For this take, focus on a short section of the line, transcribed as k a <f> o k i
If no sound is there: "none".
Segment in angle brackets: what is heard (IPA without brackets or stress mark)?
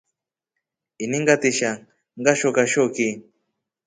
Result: ʃ